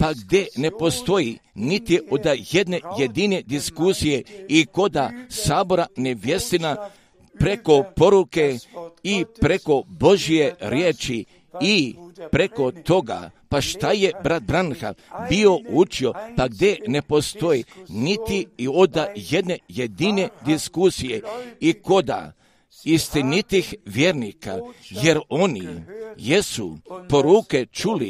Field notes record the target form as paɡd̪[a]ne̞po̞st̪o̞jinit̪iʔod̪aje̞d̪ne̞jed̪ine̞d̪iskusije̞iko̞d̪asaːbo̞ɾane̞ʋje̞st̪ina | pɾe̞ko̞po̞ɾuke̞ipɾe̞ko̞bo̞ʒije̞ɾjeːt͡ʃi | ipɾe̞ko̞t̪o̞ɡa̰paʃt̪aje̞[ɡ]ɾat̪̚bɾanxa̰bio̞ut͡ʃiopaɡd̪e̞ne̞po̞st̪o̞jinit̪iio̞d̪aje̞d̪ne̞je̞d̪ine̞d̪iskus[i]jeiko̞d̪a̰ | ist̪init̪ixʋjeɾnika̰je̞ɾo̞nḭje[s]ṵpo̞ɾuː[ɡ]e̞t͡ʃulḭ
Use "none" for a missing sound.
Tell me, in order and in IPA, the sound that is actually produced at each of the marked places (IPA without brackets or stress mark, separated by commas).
e, b, i, s, k